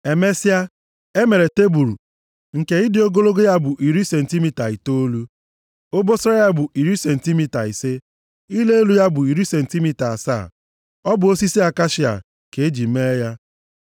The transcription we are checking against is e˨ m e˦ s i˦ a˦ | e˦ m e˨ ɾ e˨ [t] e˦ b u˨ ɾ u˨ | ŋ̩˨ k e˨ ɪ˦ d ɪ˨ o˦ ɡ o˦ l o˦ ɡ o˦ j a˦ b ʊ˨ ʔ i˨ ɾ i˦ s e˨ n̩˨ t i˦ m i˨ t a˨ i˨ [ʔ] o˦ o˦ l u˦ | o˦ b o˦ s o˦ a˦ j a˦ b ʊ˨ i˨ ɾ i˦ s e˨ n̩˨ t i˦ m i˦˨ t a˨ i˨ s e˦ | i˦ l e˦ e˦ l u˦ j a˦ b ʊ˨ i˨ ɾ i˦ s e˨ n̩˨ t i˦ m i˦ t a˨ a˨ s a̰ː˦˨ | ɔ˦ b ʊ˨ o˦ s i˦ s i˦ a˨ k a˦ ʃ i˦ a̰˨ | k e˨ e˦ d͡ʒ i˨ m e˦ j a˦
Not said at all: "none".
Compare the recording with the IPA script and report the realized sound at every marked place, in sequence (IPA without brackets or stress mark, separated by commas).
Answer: t, t